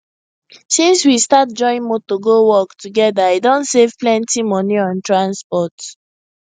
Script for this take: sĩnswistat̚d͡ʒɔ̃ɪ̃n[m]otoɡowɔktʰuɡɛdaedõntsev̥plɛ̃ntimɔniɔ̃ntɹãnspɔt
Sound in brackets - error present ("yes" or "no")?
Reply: no